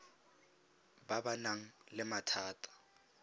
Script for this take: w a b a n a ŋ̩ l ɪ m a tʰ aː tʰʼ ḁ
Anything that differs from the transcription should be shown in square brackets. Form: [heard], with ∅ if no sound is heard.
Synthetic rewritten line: [b] a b a n a ŋ̩ l ɪ m a tʰ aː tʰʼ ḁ